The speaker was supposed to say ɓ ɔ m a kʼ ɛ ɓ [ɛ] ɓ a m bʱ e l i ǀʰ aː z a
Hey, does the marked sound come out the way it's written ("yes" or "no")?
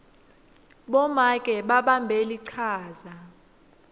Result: no